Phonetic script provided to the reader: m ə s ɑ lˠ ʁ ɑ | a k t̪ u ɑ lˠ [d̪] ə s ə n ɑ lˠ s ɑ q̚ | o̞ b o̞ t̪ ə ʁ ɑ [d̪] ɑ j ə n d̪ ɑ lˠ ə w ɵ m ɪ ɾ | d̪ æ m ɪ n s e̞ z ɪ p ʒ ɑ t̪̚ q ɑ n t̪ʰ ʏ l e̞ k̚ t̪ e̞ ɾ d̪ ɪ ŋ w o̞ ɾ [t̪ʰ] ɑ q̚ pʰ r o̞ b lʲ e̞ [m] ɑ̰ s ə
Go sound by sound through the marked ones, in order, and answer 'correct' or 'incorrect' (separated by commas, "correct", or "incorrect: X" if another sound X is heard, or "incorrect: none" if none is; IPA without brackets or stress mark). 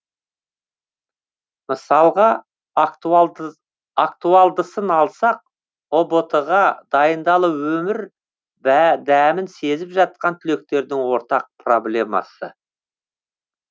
correct, correct, incorrect: t̪, correct